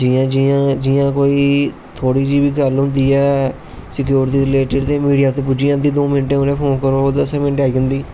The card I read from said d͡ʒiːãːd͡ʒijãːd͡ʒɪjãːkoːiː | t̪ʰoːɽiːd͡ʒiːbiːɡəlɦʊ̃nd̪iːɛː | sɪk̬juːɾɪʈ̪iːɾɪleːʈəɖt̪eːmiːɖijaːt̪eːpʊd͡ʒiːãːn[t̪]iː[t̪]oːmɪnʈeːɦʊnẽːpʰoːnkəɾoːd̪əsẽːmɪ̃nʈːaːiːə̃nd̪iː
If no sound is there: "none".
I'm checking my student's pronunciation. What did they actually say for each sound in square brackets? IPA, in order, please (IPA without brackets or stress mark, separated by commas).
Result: d̪, d̪